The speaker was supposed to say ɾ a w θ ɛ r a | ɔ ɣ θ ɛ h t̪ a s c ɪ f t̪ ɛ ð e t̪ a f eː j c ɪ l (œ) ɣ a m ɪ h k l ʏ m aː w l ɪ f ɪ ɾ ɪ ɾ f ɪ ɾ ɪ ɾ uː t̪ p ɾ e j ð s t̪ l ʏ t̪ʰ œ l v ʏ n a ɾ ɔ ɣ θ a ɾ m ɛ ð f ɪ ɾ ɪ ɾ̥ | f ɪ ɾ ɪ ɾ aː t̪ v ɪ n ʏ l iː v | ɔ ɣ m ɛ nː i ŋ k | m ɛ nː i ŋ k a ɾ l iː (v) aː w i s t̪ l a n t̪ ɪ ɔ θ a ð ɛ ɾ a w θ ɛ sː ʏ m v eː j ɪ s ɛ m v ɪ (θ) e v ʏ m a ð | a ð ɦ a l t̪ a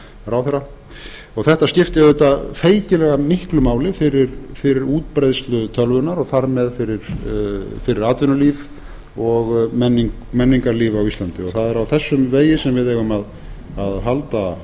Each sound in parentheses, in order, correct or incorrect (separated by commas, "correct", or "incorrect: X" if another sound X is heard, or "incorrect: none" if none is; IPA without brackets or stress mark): incorrect: ɛ, correct, incorrect: ð